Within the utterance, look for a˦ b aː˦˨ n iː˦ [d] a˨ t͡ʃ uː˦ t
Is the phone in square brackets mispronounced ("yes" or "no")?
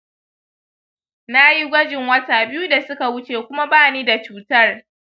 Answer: no